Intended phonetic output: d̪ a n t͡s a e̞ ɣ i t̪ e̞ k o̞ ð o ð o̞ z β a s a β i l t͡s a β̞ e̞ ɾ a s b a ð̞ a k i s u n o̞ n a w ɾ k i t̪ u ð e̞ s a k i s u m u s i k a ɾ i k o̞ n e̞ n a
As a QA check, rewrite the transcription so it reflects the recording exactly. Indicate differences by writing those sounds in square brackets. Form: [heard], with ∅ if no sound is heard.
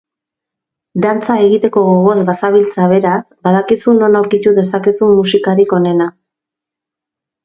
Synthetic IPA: d̪ a n t͡s a e̞ ɣ i t̪ e̞ k o̞ [ɣ] o [ɣ] o̞ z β a s a β i l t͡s a β̞ e̞ ɾ a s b a ð̞ a k i s u n o̞ n a w ɾ k i t̪ u ð e̞ s a k i s u m u s i k a ɾ i k o̞ n e̞ n a